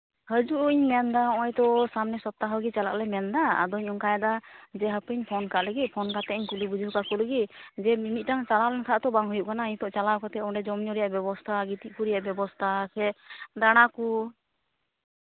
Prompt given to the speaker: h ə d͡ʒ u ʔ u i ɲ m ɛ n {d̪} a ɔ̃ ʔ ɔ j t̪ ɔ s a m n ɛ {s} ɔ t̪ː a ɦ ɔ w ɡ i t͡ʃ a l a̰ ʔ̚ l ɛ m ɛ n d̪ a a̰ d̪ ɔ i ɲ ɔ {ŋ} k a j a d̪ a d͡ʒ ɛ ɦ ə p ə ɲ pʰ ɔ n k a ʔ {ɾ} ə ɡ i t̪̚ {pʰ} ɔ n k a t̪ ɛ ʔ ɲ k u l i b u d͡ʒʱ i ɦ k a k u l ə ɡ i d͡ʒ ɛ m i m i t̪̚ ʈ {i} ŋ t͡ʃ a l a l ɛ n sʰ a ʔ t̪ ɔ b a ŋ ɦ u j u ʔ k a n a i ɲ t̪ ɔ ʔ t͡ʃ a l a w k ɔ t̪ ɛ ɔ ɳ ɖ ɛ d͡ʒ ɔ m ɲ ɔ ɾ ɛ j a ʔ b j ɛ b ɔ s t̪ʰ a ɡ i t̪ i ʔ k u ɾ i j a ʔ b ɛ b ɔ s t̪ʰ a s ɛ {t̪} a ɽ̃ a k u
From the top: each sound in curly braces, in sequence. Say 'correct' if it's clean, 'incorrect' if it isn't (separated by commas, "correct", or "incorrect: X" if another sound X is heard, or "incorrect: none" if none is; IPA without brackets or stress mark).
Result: correct, correct, correct, incorrect: l, correct, incorrect: a, incorrect: d̪